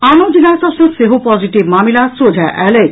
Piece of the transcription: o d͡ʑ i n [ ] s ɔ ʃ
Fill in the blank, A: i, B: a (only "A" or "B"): B